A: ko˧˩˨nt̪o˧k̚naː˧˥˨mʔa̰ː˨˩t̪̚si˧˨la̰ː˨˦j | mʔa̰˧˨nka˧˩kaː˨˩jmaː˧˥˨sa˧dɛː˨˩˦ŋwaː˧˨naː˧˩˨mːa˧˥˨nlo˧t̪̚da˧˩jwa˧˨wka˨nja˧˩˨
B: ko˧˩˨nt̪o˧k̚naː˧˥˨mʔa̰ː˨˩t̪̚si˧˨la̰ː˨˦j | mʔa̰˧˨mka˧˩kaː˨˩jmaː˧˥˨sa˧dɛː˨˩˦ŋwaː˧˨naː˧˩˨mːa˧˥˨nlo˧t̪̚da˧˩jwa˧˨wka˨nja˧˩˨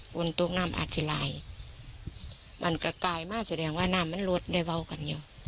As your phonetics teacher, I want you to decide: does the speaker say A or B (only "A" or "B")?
A